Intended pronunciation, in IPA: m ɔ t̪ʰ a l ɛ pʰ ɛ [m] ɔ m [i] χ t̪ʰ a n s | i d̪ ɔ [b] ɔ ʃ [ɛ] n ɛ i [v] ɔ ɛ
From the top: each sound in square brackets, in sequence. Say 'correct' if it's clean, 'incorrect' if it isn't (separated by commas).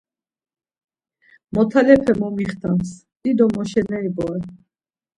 correct, correct, incorrect, correct, incorrect